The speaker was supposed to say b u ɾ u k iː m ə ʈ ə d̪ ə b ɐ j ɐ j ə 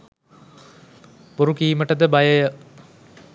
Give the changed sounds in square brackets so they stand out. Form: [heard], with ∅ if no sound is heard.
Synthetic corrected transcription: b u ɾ u k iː m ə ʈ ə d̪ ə b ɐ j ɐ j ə